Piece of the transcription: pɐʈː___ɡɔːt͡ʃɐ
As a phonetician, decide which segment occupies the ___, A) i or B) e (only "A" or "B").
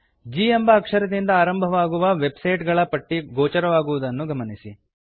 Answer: A